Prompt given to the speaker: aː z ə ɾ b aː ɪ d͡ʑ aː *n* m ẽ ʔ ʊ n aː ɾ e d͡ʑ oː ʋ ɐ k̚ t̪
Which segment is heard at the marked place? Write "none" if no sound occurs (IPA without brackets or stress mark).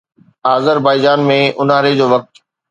n